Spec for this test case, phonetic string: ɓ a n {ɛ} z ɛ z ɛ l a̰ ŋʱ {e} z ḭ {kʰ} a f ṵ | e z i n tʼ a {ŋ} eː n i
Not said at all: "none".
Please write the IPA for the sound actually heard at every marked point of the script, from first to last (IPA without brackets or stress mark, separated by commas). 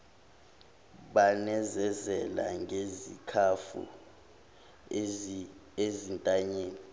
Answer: ɛ, e, kʰ, ɲ